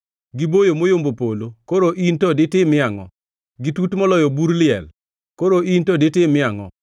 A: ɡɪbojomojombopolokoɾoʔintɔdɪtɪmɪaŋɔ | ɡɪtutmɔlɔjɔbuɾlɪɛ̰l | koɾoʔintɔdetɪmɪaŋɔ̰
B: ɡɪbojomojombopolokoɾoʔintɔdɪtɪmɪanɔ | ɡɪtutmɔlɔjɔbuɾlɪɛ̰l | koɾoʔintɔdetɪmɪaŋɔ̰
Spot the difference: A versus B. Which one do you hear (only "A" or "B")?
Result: A